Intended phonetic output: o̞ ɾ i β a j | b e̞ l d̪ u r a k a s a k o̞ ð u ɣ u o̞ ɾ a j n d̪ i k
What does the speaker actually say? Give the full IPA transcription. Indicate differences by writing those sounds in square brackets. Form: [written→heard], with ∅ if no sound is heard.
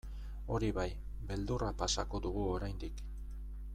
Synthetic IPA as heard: o̞ ɾ i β a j | b e̞ l d̪ u r a [k→p] a s a k o̞ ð u ɣ u o̞ ɾ a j n d̪ i k